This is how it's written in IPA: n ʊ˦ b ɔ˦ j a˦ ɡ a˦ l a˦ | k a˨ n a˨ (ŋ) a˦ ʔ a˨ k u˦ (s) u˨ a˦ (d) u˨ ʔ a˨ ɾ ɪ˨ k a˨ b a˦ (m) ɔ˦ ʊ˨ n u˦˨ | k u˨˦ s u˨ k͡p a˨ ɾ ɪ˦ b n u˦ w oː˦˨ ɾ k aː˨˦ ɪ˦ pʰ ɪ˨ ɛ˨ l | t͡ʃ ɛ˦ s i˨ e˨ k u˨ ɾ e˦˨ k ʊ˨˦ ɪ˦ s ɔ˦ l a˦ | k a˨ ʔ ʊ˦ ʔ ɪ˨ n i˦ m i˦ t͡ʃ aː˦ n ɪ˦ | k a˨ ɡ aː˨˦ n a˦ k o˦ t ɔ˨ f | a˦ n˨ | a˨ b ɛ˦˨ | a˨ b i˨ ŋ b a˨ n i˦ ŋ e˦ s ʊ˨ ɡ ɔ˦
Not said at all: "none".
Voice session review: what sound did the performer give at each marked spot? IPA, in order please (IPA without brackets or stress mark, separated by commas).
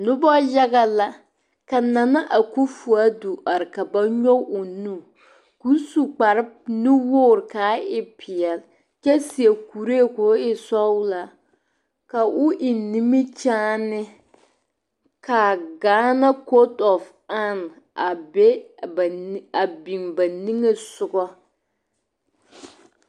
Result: n, f, d, ɲ